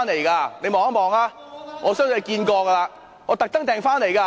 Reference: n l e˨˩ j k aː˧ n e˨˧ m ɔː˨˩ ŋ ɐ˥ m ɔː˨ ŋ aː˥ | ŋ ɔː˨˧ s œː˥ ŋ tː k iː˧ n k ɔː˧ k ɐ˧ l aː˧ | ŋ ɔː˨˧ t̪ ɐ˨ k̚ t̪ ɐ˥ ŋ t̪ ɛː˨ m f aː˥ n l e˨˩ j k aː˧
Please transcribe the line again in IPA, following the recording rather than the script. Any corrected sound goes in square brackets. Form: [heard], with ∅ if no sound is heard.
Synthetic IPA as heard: n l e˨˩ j k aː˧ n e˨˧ m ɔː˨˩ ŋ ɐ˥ m ɔː˨ ŋ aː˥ | ŋ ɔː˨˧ s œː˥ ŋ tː k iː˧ n k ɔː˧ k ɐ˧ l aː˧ | ŋ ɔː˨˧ t̪ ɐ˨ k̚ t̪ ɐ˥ ŋ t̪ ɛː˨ [ŋ] f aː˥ n l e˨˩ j k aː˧